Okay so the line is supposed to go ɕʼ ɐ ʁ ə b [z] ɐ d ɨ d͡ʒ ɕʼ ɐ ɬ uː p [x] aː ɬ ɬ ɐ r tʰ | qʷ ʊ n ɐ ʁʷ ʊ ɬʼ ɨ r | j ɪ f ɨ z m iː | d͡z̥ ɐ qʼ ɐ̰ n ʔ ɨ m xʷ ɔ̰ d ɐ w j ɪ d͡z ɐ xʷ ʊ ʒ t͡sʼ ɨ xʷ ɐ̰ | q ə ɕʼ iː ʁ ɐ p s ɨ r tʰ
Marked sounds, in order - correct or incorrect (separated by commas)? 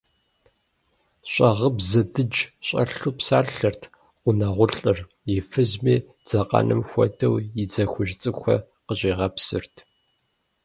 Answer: correct, incorrect